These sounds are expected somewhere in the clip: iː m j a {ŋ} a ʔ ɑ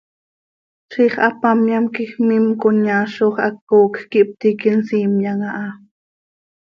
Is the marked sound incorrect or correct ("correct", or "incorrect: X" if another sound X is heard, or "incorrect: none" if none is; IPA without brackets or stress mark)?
correct